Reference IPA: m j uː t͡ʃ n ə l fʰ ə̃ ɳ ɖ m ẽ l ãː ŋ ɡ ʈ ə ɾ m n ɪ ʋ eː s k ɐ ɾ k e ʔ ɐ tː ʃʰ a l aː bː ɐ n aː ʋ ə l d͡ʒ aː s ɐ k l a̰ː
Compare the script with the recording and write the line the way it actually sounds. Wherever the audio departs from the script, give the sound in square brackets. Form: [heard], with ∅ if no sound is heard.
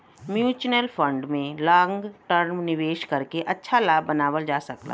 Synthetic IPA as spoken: m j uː t͡ʃ n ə l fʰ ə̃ ɳ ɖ m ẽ l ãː ŋ ɡ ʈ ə ɾ m n ɪ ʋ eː [ʃ] k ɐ ɾ k e ʔ ɐ tː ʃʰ a l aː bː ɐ n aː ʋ ə l d͡ʒ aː s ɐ k l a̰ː